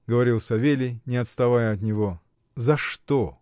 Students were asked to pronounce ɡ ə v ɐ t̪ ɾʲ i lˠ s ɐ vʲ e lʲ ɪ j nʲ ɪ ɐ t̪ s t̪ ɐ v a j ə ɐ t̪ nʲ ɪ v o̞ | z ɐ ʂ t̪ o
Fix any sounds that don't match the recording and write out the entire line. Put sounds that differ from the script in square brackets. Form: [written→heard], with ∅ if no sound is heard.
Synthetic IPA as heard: ɡ ə v ɐ [t̪→∅] ɾʲ i lˠ s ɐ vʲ e lʲ ɪ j nʲ ɪ ɐ t̪ s t̪ ɐ v a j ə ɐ t̪ nʲ ɪ v o̞ | z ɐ ʂ t̪ o